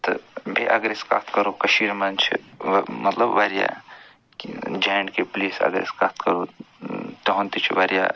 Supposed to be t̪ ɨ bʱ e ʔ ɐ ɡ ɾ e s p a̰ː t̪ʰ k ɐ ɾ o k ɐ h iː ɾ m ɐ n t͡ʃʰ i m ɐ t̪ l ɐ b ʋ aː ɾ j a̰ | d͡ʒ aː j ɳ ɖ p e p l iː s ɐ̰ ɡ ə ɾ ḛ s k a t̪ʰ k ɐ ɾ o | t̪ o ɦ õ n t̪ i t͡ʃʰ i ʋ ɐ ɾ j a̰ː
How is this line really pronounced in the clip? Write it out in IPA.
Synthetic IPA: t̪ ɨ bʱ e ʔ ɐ ɡ ɾ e s k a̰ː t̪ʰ k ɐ ɾ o k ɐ ʃ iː ɾ m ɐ n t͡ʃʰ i m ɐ t̪ l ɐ b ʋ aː ɾ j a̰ | d͡ʒ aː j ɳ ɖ k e p l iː s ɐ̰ ɡ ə ɾ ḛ s k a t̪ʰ k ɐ ɾ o | t̪ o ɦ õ n t̪ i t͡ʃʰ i ʋ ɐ ɾ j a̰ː